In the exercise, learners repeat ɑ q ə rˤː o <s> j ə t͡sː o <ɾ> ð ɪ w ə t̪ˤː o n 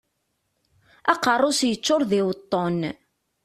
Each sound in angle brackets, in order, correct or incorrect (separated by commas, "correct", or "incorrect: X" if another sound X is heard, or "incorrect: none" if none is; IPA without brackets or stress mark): correct, correct